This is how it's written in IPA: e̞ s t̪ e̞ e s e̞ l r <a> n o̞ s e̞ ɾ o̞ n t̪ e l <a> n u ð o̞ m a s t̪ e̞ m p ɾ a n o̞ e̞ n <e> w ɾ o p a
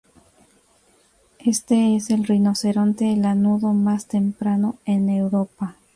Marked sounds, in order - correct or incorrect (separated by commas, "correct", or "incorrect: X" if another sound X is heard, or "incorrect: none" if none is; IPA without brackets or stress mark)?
incorrect: i, correct, correct